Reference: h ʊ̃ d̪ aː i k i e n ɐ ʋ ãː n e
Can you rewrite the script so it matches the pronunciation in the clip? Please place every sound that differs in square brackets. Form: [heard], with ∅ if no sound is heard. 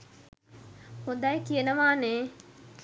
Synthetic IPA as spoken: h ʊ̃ d̪ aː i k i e n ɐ ʋ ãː n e